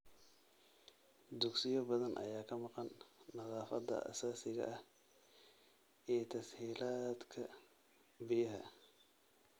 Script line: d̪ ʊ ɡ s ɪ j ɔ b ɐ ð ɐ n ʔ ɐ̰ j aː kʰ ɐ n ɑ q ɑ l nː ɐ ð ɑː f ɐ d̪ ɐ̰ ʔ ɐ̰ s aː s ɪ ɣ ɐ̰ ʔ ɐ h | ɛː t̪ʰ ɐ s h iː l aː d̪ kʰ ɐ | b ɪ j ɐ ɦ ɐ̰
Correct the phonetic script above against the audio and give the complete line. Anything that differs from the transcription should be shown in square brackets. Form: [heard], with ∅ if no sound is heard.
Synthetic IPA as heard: d̪ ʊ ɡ s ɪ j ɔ b ɐ ð ɐ n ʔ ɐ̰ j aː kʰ ɐ [m] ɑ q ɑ [∅] nː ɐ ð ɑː f ɐ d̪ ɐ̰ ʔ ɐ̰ s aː s ɪ ɣ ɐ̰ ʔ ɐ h | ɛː t̪ʰ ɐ s h iː l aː d̪ kʰ ɐ | b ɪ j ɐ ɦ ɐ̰